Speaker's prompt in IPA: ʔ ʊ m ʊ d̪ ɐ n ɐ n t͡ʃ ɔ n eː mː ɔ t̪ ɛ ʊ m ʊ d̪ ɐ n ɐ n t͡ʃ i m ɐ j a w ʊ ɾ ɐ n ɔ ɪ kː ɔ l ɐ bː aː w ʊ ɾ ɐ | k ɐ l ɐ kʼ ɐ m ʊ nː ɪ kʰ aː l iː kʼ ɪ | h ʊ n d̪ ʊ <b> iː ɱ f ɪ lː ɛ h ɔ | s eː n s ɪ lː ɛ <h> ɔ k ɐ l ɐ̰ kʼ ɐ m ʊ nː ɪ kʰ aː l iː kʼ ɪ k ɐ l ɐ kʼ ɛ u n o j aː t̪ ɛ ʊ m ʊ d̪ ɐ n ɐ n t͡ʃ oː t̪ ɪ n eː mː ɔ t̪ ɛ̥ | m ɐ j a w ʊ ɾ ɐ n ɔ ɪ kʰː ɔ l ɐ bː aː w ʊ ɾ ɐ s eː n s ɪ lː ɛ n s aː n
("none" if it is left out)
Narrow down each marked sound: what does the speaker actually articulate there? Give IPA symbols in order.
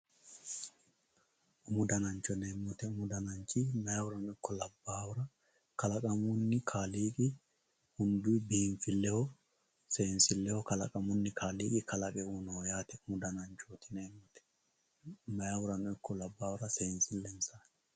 b, h

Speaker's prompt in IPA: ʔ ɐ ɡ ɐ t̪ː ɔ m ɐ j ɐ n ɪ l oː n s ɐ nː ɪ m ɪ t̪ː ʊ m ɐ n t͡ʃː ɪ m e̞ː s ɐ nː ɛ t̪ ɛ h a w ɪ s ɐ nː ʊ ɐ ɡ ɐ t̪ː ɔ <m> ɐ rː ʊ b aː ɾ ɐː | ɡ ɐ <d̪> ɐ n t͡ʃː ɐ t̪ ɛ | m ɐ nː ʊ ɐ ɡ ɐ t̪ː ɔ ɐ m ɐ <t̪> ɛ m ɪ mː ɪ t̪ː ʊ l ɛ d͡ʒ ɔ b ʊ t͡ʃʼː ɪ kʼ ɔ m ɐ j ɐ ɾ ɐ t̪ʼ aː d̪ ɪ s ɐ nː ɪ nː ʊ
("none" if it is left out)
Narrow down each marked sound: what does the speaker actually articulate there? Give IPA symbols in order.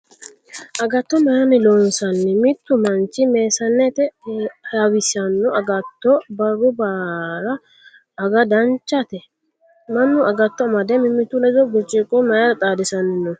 b, d̪, d̪

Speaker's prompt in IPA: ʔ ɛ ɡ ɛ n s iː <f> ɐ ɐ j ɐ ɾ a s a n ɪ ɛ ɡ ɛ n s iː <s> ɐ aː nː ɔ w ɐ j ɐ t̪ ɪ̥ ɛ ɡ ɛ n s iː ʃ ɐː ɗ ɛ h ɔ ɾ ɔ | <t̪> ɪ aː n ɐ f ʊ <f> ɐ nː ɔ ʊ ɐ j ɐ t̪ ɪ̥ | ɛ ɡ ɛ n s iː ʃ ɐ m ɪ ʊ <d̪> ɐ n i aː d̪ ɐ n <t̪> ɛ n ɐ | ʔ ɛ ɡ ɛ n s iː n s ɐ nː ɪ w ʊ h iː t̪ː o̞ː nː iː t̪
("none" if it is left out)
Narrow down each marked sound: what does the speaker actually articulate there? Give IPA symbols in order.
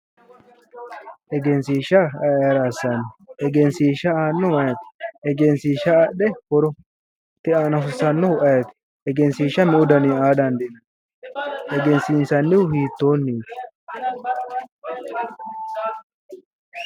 ʃ, ʃ, t̪, s, d̪, d̪

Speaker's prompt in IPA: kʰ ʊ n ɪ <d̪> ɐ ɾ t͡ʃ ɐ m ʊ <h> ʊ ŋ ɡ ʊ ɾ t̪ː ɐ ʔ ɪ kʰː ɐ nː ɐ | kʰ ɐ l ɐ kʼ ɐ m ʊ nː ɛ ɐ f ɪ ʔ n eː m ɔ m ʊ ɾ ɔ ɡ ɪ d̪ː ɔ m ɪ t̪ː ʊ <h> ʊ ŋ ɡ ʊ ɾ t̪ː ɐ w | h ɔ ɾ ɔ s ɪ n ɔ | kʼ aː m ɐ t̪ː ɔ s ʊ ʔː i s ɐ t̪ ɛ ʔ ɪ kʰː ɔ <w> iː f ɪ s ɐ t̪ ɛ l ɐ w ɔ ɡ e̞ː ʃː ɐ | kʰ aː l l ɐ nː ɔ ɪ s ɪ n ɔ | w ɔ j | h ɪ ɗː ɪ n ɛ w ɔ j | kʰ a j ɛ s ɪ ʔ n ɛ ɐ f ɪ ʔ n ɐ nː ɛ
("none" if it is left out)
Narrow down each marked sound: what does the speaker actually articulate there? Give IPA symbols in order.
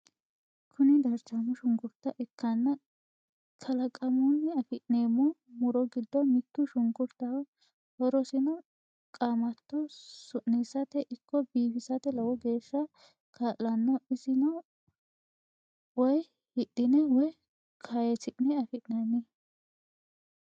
d̪, ʃ, ʃ, b

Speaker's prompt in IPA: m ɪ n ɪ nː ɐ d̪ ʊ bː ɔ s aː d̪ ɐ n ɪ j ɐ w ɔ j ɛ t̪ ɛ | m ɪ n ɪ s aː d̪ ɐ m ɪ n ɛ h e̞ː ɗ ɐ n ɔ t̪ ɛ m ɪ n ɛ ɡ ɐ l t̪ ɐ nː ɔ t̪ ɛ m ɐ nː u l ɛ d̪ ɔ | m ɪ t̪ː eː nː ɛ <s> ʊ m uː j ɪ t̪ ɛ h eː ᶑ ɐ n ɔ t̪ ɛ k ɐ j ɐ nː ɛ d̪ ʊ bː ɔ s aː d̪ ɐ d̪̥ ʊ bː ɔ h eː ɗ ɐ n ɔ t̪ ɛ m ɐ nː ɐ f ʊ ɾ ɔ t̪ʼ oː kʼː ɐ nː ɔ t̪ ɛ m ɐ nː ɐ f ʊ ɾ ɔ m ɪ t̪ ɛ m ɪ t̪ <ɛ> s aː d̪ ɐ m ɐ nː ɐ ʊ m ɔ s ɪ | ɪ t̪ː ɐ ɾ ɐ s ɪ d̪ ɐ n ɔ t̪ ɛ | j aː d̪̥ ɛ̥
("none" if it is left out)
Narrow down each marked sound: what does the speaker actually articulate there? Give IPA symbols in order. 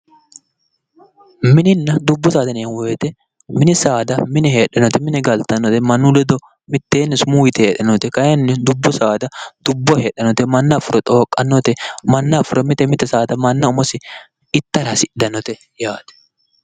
s, ɛ

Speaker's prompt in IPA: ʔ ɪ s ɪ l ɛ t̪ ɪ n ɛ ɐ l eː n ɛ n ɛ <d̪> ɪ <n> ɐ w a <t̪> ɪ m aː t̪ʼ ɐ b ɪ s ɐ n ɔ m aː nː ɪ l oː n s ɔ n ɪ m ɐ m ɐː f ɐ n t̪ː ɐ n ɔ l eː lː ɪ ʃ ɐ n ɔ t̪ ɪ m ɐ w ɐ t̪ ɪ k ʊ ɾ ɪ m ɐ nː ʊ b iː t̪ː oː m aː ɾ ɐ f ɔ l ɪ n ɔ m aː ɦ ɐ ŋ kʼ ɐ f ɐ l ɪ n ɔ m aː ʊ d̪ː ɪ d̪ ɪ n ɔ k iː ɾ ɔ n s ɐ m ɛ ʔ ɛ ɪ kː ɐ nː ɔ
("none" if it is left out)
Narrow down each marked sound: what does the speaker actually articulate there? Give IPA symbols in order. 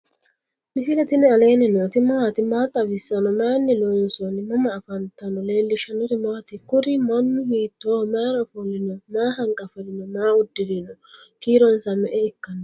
t̪, m, t̪

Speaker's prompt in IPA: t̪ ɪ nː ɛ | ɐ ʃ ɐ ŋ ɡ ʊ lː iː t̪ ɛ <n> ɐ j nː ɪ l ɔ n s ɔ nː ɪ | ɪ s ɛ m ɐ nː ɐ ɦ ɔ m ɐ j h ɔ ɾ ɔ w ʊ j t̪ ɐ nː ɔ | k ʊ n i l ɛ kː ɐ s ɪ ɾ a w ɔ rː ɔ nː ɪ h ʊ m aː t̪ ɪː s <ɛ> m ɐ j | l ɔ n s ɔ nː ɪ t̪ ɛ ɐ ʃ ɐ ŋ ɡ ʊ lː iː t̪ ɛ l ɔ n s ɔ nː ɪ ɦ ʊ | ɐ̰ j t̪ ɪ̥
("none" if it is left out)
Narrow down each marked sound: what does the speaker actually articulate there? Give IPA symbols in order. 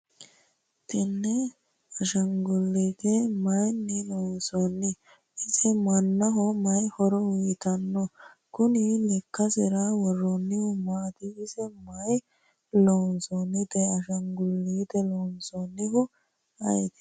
m, ɛ

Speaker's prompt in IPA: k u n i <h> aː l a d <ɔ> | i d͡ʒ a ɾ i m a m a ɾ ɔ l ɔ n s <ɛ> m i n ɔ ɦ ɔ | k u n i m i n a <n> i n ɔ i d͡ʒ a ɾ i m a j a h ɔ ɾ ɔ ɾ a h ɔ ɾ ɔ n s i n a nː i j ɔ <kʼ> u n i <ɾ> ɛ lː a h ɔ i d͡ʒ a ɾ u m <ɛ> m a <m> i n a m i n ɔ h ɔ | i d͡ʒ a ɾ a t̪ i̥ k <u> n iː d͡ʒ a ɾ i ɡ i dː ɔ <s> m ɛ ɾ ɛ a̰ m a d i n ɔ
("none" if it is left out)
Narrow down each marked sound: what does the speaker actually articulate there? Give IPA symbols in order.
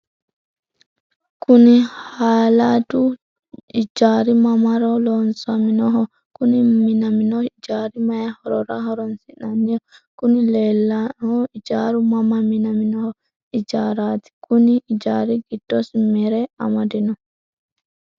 h, u, a, m, k, l, a, m, u, s

